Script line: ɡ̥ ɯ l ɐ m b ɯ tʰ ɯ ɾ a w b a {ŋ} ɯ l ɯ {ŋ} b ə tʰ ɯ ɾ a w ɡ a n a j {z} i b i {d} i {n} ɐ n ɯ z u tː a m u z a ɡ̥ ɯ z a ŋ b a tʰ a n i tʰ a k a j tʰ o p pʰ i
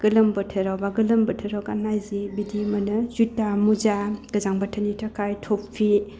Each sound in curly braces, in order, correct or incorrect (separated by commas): incorrect, incorrect, correct, correct, incorrect